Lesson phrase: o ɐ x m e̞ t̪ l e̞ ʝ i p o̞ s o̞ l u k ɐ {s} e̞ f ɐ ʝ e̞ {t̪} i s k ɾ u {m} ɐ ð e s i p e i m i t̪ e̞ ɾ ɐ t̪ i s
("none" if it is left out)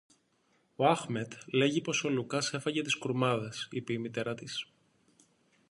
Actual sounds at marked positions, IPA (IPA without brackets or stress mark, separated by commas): s, t̪, m